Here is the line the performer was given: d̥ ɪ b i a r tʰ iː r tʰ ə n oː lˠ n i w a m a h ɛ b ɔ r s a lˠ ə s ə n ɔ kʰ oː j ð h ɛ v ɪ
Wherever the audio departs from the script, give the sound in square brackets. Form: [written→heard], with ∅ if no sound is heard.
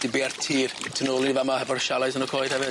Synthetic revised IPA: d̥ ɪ b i a r tʰ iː r tʰ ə n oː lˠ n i [w→v] a m a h ɛ [b→v] ɔ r [s→ʃ] a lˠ [ə→a] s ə n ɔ kʰ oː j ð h ɛ v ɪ